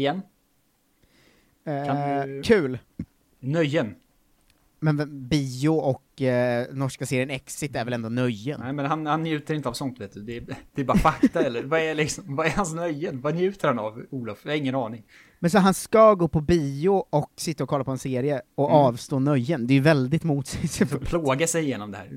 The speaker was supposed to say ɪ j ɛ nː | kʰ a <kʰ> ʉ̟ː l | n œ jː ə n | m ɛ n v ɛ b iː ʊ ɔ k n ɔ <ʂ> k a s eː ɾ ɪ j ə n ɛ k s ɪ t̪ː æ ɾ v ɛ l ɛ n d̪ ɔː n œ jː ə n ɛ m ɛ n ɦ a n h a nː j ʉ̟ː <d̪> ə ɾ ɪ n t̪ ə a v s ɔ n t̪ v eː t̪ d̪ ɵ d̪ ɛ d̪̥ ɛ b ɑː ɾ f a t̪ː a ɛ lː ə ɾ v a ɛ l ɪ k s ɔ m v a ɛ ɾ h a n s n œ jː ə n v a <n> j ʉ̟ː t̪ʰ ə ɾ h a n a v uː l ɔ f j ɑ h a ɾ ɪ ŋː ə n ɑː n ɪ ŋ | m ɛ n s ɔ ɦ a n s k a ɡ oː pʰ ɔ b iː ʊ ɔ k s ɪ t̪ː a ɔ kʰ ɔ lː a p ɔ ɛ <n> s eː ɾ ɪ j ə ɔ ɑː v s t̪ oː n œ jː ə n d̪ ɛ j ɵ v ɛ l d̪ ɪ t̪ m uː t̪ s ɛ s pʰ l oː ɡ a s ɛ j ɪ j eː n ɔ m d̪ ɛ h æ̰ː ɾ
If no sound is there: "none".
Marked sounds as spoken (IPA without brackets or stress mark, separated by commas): kʰ, ʂ, t̪, n, n